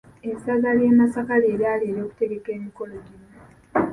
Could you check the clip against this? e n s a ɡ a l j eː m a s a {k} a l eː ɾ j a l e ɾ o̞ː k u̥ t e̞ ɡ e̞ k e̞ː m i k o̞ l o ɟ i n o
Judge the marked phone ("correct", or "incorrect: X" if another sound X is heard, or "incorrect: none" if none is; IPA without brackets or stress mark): correct